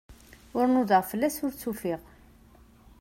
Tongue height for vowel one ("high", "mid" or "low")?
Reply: high